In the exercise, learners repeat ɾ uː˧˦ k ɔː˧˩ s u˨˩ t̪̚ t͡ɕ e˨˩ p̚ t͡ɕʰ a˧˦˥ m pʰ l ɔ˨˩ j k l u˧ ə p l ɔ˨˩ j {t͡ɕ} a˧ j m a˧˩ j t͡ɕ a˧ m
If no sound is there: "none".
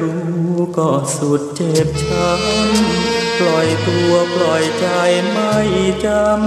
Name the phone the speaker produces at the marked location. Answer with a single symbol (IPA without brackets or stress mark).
t͡ɕ